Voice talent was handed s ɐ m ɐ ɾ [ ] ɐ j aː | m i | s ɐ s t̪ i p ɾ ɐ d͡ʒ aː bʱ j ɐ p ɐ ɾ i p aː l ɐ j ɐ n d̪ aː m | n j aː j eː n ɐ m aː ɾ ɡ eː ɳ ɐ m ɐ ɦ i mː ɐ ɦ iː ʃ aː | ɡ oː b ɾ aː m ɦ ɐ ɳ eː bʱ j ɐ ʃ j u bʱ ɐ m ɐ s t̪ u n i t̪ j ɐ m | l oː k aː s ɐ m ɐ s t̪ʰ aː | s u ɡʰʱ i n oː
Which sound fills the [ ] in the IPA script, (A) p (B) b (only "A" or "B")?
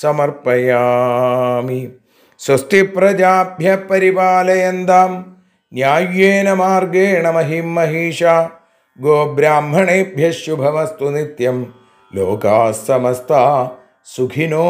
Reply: A